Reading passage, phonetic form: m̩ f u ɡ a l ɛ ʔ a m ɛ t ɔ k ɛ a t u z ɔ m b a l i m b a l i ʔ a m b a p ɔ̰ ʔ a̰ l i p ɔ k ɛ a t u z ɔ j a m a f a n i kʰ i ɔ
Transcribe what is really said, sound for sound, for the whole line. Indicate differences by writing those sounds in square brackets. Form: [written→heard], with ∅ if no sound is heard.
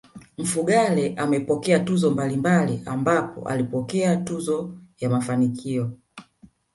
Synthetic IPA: m̩ f u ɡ a l ɛ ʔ a m ɛ [t→p] ɔ k ɛ a t u z ɔ m b a l i m b a l i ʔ a m b a p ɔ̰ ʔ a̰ l i p ɔ k ɛ a t u z ɔ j a m a f a n i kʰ i ɔ